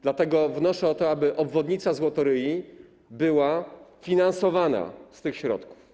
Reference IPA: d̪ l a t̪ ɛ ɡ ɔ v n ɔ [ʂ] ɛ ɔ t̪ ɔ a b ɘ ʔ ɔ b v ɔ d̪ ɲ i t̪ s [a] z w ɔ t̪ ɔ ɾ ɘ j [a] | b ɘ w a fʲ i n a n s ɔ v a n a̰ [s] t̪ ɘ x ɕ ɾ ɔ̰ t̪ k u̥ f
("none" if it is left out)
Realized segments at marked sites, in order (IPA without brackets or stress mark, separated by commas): ʂ, a, i, s